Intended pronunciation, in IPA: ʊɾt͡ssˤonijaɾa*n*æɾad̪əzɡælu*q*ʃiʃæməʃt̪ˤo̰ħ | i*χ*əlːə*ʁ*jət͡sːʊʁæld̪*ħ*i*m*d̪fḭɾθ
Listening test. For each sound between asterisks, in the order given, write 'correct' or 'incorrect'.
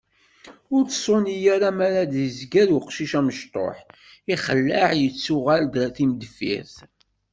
incorrect, correct, correct, incorrect, incorrect, correct

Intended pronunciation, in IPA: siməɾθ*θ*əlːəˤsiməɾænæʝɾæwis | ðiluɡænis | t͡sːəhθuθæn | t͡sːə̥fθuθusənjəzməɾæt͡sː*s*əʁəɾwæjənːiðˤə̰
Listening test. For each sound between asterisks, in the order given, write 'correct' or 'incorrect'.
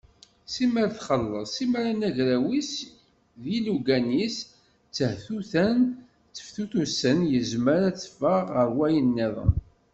incorrect, incorrect

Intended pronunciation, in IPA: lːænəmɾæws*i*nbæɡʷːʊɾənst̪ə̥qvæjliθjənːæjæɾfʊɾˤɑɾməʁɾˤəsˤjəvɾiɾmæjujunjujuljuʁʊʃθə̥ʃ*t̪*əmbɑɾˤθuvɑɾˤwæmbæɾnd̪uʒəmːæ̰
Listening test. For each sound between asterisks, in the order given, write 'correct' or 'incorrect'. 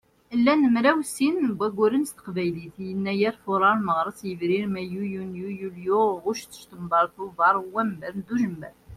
correct, correct

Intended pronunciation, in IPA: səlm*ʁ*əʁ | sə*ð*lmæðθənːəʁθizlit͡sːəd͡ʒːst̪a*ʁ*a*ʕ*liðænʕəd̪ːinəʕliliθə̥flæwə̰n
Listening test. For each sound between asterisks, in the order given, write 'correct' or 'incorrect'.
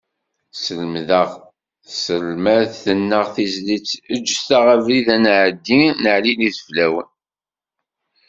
incorrect, incorrect, correct, incorrect

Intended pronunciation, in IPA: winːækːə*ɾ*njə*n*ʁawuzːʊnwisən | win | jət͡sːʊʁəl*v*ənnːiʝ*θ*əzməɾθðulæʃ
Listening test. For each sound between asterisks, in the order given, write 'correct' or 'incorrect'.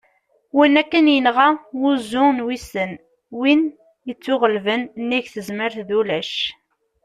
incorrect, correct, correct, correct

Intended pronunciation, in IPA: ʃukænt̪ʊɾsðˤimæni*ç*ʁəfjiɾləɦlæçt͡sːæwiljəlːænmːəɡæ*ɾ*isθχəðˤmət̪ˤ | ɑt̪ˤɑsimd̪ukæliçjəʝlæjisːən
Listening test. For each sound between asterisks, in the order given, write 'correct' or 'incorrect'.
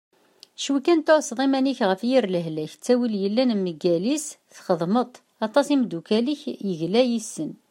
correct, incorrect

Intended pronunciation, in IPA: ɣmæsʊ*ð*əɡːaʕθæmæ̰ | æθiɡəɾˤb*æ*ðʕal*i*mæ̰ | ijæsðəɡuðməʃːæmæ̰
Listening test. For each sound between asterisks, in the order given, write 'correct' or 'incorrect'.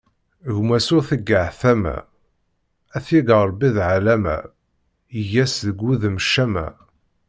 incorrect, incorrect, incorrect

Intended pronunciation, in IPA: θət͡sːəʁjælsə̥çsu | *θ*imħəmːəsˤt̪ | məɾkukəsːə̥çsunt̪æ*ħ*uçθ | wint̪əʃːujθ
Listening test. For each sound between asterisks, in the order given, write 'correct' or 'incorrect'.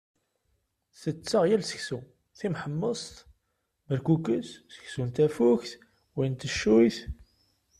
correct, incorrect

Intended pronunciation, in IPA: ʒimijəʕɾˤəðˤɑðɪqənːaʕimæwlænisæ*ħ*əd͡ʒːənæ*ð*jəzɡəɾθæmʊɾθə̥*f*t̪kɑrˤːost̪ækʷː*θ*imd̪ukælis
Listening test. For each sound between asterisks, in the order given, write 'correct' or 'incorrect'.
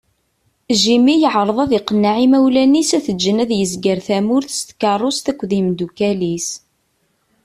incorrect, correct, incorrect, incorrect

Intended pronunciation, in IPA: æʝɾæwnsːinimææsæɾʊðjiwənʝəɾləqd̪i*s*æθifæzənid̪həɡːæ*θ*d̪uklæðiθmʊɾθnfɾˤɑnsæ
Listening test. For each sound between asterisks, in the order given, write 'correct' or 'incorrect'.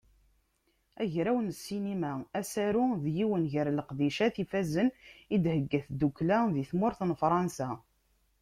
incorrect, correct

